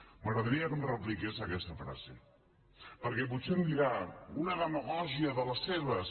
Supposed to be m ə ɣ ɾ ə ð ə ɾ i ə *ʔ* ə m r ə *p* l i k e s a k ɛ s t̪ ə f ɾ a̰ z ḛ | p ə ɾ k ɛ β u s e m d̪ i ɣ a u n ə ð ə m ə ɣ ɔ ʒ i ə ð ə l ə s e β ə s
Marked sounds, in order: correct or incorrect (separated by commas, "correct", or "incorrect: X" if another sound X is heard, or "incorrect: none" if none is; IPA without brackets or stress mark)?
incorrect: k, correct